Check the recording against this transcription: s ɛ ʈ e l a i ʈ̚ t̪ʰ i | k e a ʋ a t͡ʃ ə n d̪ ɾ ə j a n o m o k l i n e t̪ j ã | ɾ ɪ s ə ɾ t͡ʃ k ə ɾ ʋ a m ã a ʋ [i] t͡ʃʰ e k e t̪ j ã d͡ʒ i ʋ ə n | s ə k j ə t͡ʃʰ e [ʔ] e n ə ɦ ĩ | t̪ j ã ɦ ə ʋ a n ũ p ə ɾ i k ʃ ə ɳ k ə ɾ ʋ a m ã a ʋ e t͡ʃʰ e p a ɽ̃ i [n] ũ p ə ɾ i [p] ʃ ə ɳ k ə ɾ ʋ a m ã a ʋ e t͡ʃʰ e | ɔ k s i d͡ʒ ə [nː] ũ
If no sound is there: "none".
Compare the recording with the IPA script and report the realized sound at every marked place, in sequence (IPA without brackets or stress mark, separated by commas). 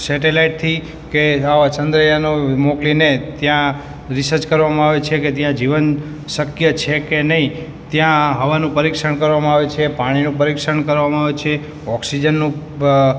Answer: e, k, n, k, nː